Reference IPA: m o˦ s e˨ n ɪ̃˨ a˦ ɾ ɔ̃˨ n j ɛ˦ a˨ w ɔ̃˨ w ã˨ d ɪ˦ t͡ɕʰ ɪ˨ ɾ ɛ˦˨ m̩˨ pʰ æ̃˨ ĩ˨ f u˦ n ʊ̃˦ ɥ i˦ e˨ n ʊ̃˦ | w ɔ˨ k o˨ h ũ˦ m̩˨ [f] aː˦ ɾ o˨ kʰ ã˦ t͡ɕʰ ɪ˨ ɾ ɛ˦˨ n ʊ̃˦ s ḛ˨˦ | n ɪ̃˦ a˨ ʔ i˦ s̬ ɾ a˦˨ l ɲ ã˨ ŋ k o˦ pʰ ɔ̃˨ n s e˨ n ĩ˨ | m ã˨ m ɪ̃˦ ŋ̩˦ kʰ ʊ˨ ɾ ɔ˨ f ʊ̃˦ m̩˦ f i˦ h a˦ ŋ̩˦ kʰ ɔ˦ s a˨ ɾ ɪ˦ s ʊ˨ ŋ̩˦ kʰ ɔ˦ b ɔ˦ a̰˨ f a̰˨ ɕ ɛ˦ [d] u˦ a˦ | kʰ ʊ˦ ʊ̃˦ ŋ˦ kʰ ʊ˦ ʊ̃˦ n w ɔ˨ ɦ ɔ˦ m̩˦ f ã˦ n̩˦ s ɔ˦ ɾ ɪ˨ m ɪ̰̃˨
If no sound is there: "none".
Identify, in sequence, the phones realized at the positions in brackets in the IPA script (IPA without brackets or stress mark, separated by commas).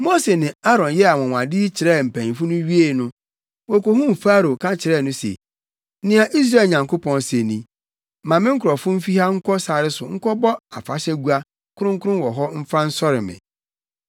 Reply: f, ɡ